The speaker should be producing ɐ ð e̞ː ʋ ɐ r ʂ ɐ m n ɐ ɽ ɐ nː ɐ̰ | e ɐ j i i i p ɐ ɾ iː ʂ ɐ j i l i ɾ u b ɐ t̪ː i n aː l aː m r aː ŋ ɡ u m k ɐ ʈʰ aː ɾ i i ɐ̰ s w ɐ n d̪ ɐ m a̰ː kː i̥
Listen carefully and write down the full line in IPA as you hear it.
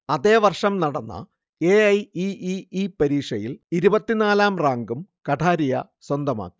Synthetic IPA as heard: ɐ ð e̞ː ʋ ɐ r ʂ ɐ m n ɐ ɽ ɐ nː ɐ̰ | e ɐ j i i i p ɐ ɾ iː ʂ ɐ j i l i ɾ u b ɐ t̪ː i n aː l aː m r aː ŋ ɡ u m k ɐ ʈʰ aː ɾ i j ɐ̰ s w ɐ n d̪ ɐ m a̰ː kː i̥